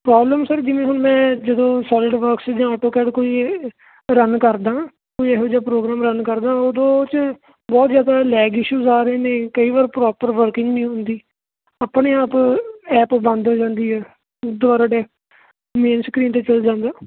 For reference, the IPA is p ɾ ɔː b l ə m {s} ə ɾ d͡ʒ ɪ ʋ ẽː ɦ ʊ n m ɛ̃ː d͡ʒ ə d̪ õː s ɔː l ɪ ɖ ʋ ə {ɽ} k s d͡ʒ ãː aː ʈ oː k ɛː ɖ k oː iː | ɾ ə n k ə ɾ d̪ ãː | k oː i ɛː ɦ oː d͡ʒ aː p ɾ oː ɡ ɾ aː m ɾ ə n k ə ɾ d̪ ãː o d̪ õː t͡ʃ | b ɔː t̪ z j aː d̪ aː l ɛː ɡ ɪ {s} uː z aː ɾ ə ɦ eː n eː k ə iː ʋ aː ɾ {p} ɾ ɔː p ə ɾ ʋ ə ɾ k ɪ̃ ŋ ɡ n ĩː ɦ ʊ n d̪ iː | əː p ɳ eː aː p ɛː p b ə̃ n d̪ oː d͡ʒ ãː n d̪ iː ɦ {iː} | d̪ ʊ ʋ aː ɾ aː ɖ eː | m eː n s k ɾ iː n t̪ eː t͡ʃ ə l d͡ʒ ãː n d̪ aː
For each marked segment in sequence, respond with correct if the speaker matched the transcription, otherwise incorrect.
correct, incorrect: ɾ, incorrect: ʃ, correct, incorrect: ɛː

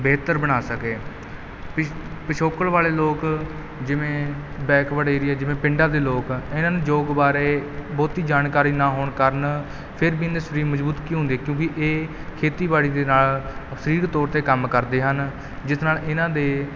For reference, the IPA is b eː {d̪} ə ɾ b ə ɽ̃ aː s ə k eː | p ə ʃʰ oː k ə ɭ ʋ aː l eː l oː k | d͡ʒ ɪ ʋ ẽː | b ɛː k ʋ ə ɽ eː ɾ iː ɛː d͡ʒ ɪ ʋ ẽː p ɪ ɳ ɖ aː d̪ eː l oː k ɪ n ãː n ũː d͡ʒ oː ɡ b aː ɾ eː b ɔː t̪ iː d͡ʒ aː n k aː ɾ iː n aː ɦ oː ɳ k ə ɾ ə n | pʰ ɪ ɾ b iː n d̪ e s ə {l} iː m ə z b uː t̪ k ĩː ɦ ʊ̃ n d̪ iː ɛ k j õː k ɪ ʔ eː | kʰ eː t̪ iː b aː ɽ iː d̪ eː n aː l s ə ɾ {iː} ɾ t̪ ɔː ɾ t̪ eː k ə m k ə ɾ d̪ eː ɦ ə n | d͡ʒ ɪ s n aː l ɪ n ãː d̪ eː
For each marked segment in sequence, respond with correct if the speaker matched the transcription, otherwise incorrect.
incorrect: t̪, incorrect: ɾ, correct

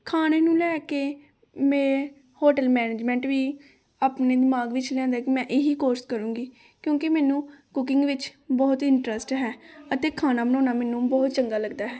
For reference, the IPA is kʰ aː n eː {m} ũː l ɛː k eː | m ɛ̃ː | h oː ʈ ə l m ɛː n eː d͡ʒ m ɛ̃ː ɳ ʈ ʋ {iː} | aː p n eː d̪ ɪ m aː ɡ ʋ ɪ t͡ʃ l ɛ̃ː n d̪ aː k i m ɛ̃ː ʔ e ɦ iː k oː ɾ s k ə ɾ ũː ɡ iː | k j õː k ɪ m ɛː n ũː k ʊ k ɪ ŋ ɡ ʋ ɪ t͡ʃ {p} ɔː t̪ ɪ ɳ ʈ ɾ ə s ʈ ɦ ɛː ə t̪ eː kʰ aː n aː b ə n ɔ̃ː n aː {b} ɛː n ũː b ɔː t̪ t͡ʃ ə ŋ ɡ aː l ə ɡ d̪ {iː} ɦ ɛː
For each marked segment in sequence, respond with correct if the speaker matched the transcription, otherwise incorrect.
incorrect: n, correct, incorrect: b, incorrect: m, incorrect: aː

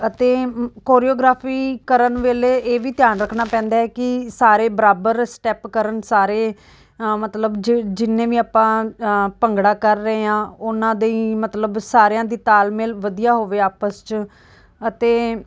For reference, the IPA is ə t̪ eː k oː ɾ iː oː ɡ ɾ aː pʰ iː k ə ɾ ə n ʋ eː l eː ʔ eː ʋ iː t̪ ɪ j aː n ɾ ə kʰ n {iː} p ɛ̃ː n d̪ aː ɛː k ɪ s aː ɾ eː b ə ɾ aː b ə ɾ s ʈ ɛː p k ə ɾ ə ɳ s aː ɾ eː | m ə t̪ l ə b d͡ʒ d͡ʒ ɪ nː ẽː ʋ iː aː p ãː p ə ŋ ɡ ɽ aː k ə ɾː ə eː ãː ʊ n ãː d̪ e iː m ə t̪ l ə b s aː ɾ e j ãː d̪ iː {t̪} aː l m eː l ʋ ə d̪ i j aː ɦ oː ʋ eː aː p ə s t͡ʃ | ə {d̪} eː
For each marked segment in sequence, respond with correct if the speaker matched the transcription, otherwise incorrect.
incorrect: aː, correct, incorrect: t̪

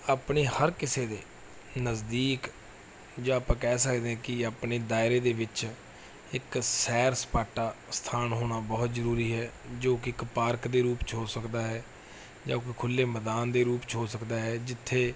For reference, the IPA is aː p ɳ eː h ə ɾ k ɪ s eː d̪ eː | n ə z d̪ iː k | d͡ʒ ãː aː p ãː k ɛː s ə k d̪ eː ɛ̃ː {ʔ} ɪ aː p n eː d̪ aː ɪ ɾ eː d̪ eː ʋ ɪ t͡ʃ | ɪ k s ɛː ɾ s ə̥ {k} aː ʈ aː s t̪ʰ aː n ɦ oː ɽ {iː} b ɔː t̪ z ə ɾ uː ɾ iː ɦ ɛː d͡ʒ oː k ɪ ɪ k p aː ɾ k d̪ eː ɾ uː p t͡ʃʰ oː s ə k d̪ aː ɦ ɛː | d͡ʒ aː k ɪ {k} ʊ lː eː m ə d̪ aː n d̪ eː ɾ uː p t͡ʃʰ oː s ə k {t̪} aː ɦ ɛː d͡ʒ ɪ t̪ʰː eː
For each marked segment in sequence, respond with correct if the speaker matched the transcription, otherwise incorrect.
incorrect: k, incorrect: p, incorrect: aː, incorrect: kʰ, incorrect: d̪

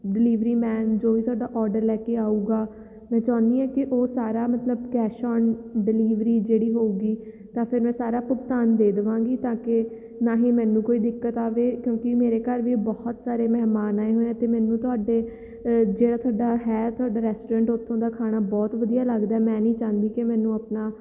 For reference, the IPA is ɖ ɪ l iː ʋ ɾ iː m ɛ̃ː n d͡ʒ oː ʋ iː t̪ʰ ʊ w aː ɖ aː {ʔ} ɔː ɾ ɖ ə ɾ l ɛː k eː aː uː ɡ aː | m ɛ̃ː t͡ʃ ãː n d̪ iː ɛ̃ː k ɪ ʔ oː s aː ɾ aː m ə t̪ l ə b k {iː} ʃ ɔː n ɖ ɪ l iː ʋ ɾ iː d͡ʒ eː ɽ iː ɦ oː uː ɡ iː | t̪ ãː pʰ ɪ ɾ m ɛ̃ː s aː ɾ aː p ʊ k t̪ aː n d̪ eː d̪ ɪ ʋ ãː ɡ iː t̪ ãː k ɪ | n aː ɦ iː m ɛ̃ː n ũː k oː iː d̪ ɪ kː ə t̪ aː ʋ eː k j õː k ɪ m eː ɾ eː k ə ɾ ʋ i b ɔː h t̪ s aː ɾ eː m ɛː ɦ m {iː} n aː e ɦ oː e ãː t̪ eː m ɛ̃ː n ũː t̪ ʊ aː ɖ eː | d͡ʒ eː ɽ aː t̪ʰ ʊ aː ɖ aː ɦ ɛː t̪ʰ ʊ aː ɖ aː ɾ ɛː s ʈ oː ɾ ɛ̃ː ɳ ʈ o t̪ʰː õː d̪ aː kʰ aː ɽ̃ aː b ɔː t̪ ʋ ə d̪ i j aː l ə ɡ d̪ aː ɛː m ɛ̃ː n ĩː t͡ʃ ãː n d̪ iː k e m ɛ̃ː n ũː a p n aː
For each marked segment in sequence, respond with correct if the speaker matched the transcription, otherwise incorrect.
correct, incorrect: ɛː, incorrect: aː

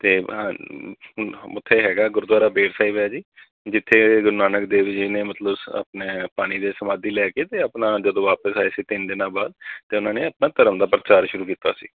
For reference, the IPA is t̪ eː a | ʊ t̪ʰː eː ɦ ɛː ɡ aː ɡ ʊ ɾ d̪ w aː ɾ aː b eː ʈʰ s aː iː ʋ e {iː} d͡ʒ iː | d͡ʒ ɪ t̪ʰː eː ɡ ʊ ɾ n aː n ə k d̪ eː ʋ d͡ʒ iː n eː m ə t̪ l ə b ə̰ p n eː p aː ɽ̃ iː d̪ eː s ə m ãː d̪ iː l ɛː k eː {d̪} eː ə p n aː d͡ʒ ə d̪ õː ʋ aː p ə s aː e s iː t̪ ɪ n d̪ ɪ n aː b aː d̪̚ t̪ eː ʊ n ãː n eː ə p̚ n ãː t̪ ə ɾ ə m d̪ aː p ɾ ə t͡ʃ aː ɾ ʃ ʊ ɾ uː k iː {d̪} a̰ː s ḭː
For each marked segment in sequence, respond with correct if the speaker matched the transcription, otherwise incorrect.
incorrect: aː, incorrect: t̪, incorrect: t̪

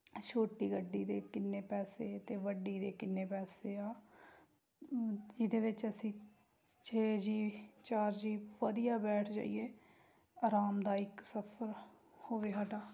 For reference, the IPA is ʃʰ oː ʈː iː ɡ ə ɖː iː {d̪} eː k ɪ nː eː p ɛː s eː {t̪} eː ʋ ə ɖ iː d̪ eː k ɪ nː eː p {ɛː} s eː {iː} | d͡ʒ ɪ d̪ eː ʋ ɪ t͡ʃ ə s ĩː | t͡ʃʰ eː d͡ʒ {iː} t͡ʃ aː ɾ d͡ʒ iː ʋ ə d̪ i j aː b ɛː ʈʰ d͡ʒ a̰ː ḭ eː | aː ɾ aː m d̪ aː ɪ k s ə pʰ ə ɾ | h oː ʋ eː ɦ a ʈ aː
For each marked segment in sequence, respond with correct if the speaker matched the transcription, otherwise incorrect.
correct, correct, correct, incorrect: aː, correct

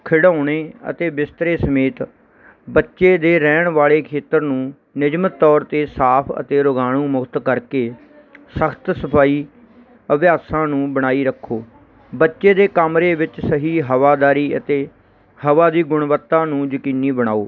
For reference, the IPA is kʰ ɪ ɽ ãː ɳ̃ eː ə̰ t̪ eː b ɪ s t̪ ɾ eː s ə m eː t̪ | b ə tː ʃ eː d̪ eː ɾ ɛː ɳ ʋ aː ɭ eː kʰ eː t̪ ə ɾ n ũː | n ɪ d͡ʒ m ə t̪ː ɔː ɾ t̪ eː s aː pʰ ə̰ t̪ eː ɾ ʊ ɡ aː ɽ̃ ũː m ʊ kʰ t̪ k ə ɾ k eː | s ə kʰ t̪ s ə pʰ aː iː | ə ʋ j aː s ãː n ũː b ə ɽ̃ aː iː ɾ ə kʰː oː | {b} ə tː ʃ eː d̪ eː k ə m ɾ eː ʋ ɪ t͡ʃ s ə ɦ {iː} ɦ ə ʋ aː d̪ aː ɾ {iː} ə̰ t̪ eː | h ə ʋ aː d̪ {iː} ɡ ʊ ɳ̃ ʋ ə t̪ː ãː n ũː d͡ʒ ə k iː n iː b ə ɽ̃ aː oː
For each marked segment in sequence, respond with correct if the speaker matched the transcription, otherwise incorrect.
correct, correct, correct, correct

